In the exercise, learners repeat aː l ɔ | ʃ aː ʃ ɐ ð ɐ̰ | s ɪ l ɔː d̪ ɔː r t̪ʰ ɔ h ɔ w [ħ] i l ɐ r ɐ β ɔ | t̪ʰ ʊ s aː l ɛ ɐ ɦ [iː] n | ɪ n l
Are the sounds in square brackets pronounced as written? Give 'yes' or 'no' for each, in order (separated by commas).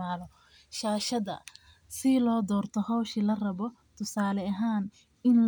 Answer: no, no